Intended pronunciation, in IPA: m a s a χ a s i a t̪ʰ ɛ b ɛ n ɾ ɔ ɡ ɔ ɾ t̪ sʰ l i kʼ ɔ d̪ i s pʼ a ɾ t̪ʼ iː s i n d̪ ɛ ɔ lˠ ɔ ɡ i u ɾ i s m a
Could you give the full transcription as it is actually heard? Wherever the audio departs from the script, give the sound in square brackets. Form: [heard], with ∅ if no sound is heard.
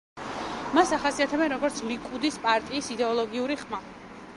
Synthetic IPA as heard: m a s a χ a s i a t̪ʰ ɛ b ɛ n ɾ ɔ ɡ ɔ ɾ t̪ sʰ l i kʼ [u] d̪ i s pʼ a ɾ t̪ʼ iː s i [∅] d̪ ɛ ɔ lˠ ɔ ɡ i u ɾ i [χ] m a